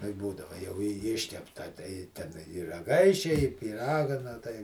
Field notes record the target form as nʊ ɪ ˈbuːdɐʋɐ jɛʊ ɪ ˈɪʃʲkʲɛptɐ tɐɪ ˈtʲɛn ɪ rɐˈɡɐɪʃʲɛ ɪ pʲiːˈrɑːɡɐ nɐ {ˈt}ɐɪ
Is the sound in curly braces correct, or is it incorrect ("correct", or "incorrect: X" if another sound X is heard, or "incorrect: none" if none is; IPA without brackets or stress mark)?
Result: correct